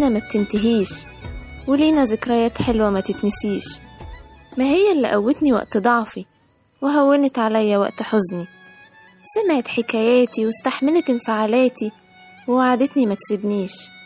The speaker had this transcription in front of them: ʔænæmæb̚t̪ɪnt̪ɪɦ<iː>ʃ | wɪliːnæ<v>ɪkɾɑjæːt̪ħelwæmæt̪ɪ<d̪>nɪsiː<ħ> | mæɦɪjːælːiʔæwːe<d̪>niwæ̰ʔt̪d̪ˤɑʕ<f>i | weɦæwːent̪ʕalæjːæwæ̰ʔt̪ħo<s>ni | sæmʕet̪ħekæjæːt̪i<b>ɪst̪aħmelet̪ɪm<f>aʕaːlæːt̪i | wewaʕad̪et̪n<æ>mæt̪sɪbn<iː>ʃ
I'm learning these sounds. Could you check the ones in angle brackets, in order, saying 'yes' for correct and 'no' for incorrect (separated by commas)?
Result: yes, no, no, no, no, yes, no, no, yes, no, yes